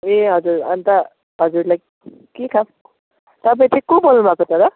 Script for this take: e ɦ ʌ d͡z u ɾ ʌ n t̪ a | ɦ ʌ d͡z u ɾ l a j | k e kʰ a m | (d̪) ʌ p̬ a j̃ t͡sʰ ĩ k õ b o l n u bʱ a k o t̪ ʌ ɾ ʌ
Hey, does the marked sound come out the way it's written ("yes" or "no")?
no